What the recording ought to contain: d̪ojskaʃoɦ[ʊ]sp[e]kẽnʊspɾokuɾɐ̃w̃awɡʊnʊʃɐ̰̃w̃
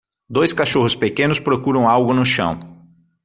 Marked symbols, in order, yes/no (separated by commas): yes, yes